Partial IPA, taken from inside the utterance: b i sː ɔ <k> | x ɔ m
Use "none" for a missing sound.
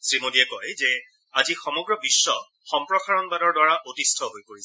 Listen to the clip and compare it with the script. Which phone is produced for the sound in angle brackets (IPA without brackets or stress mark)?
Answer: none